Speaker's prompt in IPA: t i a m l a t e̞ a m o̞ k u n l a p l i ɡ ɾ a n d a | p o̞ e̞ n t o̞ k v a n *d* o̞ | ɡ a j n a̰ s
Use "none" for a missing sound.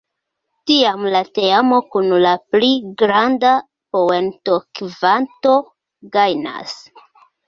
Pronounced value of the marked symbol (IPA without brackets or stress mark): t